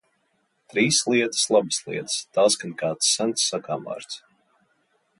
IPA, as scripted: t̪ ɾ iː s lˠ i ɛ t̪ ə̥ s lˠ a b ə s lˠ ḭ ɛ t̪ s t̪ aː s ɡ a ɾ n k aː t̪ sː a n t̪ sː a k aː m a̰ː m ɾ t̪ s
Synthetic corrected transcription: t̪ ɾ iː s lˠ i ɛ t̪ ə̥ s lˠ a b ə s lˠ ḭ ɛ t̪ s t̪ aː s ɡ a n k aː t̪ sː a n t̪ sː a k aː m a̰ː ɾ t̪ s